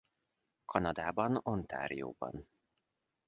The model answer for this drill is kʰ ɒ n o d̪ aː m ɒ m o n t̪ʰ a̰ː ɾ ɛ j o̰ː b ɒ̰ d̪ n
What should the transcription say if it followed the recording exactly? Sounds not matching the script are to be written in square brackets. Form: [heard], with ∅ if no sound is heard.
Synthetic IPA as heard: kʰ ɒ n [ɒ] d̪ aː [b] ɒ [n] o n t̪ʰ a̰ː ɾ [i] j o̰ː b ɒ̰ [∅] n